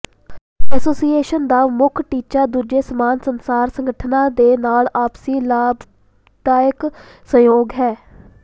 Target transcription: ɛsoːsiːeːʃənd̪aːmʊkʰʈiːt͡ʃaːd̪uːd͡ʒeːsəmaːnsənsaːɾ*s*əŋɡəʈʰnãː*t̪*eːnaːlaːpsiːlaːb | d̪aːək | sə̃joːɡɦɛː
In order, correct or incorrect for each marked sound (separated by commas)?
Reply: correct, incorrect